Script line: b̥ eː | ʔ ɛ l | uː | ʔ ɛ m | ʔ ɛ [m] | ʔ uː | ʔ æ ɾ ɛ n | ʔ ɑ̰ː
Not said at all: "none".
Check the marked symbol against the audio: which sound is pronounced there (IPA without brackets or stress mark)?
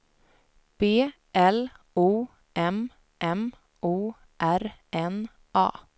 m